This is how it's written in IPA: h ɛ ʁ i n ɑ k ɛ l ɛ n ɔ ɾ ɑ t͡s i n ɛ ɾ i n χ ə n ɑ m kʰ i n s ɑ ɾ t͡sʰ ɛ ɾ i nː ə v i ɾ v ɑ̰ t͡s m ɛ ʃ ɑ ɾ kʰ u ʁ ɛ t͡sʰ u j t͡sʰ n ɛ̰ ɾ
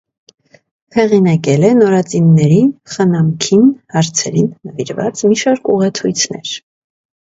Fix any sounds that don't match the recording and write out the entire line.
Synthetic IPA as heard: h ɛ ʁ i n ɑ k ɛ l ɛ n ɔ ɾ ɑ t͡s i nː ɛ ɾ i n χ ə n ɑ m kʰ i n h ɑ ɾ t͡sʰ ɛ ɾ i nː ə v i ɾ v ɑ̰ t͡s m i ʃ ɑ ɾ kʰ u ʁ ɛ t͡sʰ u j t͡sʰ n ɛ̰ ɾ